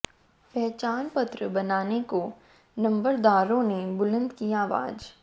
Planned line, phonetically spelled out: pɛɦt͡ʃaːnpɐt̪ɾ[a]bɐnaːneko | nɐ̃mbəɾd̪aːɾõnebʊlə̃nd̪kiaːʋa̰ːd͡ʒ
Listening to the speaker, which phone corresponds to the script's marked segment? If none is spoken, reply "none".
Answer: ə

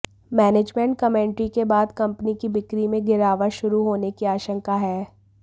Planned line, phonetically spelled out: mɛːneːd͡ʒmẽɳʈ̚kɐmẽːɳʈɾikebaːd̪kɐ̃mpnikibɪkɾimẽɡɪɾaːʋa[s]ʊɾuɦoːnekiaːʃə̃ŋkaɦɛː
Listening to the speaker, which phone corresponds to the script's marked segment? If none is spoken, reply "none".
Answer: ʃ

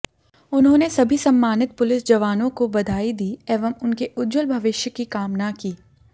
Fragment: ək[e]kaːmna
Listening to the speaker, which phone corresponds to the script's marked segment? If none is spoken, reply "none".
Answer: i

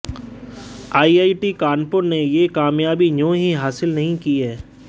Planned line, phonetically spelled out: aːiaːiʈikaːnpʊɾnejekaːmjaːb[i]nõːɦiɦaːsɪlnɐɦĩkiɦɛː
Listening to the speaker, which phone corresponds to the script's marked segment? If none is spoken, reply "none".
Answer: i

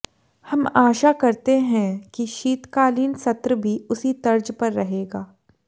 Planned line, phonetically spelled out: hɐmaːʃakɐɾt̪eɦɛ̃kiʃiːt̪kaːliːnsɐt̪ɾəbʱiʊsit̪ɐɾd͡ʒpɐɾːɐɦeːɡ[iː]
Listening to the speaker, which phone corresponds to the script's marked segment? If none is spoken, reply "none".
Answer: aː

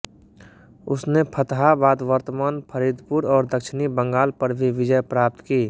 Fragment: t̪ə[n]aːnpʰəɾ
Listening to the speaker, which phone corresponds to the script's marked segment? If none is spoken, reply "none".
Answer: m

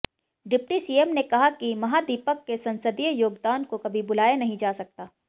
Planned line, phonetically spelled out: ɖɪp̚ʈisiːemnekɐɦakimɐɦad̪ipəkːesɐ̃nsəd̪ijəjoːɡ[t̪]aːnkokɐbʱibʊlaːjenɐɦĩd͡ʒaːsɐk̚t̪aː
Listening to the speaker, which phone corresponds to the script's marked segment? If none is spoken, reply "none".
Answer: d̪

